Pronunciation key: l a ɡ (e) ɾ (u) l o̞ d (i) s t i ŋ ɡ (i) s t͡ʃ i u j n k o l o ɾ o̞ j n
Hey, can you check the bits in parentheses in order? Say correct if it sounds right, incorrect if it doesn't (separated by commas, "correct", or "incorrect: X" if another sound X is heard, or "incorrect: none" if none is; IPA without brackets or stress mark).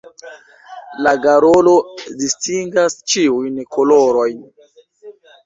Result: incorrect: a, incorrect: o, correct, incorrect: a